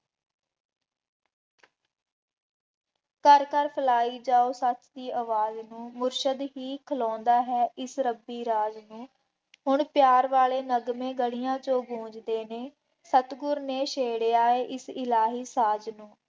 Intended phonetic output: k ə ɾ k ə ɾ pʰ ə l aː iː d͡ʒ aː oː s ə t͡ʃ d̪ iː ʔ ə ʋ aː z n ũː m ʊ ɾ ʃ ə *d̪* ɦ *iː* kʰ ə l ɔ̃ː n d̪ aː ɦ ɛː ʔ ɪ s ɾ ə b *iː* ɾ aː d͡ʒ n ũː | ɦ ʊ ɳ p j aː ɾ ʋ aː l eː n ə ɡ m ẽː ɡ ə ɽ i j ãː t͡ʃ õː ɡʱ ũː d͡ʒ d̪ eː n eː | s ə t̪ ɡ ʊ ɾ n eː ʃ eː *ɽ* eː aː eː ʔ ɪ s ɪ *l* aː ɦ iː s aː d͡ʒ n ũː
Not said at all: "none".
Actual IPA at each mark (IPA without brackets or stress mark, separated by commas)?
d̪, iː, iː, ɽ, l